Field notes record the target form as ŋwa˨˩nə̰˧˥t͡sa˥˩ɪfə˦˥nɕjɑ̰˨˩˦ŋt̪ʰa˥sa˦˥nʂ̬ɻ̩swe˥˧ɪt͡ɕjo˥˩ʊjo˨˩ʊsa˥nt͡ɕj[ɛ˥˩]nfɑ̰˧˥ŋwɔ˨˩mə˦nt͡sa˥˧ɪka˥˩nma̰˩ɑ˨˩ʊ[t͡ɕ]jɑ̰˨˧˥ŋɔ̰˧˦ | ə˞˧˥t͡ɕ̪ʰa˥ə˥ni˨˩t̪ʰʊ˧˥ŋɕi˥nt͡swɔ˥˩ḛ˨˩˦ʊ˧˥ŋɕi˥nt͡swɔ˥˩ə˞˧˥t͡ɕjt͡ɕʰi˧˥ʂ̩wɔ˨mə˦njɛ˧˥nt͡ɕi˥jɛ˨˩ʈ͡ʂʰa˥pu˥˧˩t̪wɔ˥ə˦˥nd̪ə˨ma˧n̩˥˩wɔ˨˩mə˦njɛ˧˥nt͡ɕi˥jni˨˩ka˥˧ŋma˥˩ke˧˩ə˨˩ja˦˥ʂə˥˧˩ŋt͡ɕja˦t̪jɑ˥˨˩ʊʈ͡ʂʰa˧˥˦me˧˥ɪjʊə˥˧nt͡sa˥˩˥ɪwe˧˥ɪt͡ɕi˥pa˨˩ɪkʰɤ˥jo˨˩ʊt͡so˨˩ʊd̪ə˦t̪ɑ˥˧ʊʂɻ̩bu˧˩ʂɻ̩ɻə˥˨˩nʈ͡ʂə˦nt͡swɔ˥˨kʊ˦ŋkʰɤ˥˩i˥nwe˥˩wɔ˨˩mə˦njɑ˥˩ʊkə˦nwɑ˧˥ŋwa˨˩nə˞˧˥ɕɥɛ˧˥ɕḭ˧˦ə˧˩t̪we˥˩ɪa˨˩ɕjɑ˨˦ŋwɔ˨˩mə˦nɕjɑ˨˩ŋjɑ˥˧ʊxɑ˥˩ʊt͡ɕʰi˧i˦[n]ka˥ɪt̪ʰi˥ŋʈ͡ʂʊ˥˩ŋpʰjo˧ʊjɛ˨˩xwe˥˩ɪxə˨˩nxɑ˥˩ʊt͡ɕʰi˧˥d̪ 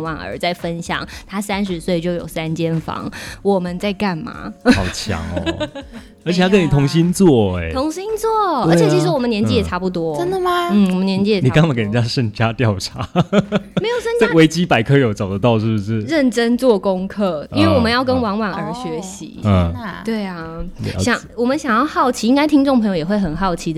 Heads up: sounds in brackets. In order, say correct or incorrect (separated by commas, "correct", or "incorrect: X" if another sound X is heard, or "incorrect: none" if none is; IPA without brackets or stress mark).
incorrect: ɛ˥, incorrect: t͡ɕʰ, incorrect: ŋ